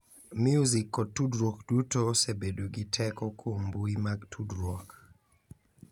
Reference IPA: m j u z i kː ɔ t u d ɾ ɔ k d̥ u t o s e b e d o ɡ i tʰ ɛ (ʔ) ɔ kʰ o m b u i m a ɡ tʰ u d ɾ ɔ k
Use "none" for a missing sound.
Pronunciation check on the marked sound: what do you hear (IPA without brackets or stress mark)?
k